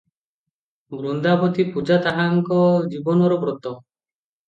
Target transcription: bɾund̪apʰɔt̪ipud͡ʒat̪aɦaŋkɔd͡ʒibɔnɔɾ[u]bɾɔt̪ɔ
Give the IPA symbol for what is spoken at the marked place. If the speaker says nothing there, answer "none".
ɔ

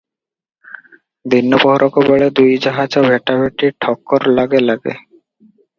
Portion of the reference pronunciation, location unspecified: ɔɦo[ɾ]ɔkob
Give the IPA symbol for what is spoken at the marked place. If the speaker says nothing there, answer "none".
ɾ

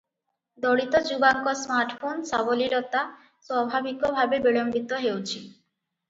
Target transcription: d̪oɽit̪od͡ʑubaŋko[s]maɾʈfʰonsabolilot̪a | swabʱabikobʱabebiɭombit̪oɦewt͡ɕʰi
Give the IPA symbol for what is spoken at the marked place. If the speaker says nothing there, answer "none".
s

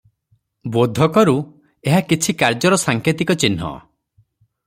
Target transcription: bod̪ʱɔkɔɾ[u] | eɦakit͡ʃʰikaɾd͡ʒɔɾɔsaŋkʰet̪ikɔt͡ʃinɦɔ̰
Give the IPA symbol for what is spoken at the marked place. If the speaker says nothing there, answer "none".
u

